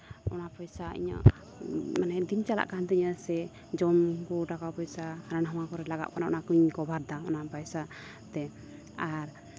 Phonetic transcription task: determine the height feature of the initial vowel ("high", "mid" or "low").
mid